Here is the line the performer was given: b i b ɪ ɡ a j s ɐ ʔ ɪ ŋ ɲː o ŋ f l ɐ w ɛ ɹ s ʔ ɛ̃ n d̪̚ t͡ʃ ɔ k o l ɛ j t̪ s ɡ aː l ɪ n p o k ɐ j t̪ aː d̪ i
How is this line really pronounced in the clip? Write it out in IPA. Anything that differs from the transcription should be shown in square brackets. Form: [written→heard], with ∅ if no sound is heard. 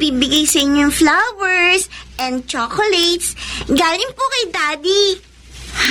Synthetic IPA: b i b ɪ ɡ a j s ɐ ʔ ɪ [ŋ→ɲ] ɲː o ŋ f l [ɐ→a] w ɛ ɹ s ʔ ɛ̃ n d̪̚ t͡ʃ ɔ k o l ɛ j t̪ s ɡ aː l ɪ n p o k ɐ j [t̪→d̪] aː d̪ i